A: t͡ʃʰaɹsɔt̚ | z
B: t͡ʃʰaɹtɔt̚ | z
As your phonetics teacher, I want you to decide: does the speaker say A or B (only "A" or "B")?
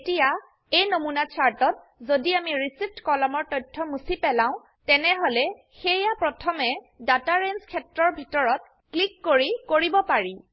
B